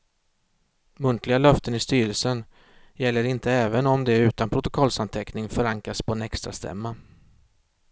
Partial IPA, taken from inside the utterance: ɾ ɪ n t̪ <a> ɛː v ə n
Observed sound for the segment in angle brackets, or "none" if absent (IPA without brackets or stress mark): ə